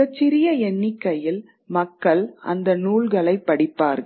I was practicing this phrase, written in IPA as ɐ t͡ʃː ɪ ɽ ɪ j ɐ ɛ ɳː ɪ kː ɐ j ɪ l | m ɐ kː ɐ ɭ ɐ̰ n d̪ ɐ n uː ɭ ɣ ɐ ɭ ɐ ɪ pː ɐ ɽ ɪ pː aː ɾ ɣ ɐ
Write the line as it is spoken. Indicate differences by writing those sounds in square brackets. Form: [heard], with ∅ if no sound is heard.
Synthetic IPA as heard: ɐ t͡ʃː ɪ [ɾ] ɪ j ɐ ɛ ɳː ɪ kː ɐ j ɪ l | m ɐ kː ɐ ɭ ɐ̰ n d̪ ɐ n uː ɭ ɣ ɐ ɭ ɐ ɪ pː ɐ ɽ ɪ pː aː ɾ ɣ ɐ